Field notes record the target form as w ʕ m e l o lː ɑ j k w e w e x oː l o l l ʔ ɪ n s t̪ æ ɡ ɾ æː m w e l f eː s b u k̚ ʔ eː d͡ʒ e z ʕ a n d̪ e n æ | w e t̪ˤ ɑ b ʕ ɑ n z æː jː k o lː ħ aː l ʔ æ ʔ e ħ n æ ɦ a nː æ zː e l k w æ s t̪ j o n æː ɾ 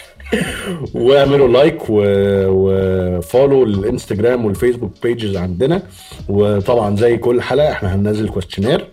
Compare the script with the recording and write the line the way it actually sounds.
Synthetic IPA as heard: w ʕ m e l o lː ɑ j k w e w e f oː l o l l ʔ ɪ n s t̪ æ ɡ ɾ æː m w e l f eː s b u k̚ p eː d͡ʒ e z ʕ a n d̪ e n æ | w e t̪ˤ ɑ b ʕ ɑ n z æ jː k o lː ħ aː l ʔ æ ʔ e ħ n æ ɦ æ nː æ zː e l k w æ s t̪ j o n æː ɾ